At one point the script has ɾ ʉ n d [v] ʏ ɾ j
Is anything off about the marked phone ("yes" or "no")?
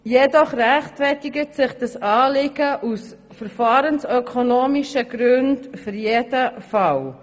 yes